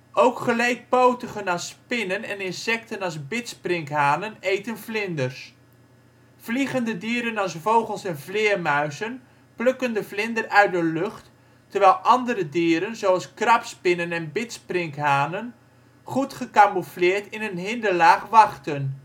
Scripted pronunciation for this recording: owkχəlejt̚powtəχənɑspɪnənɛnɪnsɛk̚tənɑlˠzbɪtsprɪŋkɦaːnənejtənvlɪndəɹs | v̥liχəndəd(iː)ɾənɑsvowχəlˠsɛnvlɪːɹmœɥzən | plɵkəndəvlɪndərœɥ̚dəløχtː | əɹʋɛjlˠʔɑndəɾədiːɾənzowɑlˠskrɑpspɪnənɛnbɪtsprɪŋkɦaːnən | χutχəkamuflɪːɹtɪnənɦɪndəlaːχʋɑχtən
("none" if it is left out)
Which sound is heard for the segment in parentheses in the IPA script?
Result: iː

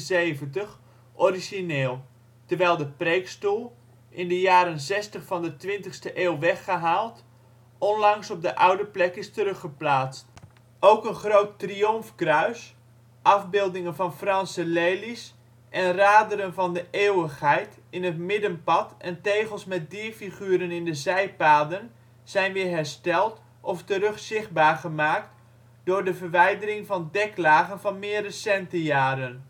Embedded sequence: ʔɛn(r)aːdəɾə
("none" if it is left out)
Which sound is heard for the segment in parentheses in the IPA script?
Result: r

